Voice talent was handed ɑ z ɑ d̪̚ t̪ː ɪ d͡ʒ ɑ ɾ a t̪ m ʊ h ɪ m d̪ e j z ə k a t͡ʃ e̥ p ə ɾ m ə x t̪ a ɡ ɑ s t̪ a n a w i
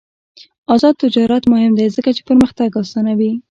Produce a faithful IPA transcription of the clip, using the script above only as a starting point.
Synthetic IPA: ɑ z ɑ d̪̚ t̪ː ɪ d͡ʒ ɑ ɾ a t̪ m ʊ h ɪ m d̪ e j z ə k a t͡ʃ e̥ p ə ɾ m ə x t̪ a ɡ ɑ s t̪ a n a w i